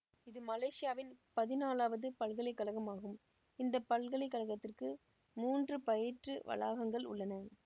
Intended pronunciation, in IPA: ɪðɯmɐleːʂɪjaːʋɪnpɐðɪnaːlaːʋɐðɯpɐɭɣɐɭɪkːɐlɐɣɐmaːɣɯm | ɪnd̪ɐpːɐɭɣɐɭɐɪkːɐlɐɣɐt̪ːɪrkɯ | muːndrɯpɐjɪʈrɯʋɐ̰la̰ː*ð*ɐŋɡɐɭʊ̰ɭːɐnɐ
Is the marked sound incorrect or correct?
incorrect